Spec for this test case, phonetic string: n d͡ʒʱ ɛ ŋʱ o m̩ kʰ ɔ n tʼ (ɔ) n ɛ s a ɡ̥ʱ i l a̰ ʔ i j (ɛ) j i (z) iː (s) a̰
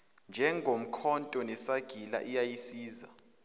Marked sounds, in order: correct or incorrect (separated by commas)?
correct, incorrect, incorrect, incorrect